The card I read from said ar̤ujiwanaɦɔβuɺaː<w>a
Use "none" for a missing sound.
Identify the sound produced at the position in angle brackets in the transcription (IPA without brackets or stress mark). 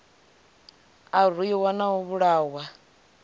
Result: w